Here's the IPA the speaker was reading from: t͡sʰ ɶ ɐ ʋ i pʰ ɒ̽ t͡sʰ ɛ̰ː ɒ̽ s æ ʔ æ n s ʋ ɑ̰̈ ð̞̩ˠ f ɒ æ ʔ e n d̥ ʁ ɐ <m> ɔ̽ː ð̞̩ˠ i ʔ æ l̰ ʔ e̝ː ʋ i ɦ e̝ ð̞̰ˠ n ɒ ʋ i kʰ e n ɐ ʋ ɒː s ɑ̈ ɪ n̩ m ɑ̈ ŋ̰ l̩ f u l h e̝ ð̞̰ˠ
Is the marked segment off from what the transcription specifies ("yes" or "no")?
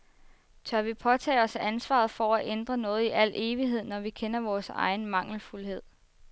yes